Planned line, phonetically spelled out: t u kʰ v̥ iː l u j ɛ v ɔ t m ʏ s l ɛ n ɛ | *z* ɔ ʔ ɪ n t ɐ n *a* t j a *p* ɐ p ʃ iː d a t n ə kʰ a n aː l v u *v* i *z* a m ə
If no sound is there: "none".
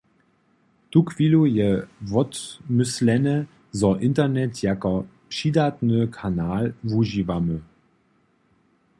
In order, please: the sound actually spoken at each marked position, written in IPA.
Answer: z, ɛ, k, ʒ, v

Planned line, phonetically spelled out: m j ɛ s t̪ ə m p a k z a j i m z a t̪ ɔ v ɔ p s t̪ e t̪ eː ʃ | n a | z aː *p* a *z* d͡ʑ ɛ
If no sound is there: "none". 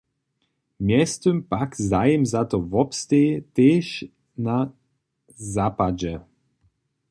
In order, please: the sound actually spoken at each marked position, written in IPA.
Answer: p, none

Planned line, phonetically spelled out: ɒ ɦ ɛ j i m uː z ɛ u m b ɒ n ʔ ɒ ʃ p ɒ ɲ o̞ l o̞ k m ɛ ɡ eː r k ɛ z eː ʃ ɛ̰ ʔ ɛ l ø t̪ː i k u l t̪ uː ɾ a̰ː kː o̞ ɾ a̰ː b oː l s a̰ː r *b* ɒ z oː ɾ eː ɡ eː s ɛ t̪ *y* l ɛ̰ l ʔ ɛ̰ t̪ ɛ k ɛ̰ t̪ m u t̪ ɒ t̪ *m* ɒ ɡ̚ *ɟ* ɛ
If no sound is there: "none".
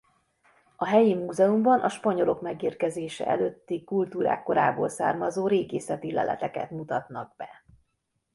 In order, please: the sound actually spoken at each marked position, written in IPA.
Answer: m, i, n, b

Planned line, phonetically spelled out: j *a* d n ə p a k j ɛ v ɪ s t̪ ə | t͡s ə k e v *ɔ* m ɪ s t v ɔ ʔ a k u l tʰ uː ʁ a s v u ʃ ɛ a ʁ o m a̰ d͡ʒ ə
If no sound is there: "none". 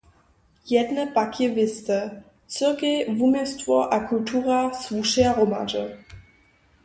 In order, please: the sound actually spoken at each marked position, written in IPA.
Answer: ɛ, u

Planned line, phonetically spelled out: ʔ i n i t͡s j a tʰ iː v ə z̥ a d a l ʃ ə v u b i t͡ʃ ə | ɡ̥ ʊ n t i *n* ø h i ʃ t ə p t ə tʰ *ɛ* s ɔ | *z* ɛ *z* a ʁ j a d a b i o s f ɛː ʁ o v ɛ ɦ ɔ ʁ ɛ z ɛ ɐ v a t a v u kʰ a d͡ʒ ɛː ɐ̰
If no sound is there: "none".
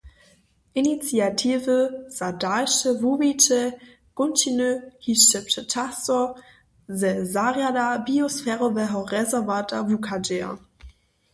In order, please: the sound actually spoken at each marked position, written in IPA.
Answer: n, a, z, z

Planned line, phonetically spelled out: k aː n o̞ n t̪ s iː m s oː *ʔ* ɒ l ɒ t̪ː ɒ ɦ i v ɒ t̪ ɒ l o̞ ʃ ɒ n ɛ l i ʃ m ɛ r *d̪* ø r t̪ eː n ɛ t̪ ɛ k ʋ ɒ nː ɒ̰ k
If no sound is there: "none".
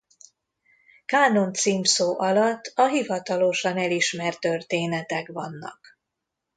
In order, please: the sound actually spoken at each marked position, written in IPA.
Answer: ʔ, t̪

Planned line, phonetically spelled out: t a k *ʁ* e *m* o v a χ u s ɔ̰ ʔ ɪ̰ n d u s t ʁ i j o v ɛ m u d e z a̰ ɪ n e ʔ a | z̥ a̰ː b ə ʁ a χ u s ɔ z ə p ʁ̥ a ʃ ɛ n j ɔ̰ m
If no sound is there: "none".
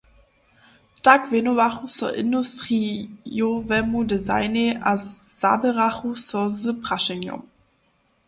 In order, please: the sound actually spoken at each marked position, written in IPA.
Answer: v, n

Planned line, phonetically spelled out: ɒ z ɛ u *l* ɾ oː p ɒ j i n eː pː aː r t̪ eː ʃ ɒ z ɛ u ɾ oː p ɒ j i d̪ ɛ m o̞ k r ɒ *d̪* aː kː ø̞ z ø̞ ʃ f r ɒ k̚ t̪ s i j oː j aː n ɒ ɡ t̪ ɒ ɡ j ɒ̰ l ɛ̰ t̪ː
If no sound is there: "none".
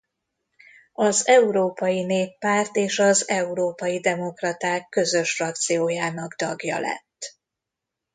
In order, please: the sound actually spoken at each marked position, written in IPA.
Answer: none, t̪

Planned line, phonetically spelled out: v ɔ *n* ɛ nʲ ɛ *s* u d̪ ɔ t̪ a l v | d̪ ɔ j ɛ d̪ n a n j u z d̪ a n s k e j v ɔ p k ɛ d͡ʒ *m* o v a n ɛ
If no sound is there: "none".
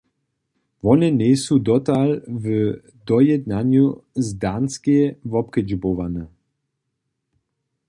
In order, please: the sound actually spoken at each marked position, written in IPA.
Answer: n, s, b

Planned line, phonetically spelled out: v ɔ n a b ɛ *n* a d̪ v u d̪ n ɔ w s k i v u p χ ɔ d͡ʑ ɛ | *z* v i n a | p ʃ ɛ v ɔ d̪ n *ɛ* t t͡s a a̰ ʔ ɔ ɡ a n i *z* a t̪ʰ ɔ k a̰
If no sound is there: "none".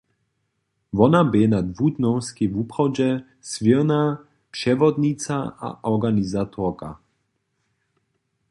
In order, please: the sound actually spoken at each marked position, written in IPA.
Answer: n, s, i, z

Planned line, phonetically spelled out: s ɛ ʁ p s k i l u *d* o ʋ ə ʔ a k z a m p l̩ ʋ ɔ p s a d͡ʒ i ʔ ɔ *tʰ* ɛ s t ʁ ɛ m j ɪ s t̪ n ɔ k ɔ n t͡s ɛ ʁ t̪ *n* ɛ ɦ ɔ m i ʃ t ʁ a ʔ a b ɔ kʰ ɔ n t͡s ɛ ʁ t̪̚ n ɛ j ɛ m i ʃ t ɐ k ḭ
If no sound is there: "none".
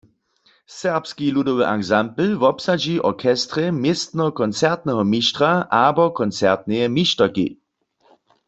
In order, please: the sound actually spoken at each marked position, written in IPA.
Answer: d, kʰ, n

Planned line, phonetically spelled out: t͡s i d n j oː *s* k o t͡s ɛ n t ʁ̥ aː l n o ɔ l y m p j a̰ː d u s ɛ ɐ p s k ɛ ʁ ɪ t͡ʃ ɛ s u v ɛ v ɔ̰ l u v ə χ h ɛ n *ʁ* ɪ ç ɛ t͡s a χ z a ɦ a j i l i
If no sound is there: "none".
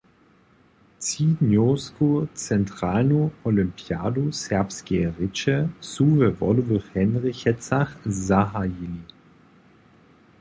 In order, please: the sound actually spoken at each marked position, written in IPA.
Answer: s, ʁ

